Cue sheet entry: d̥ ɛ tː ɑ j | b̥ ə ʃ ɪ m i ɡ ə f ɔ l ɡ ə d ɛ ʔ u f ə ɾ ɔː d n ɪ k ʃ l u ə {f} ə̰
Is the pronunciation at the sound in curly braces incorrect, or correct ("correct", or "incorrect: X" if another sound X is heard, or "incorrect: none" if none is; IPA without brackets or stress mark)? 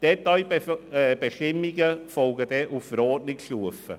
correct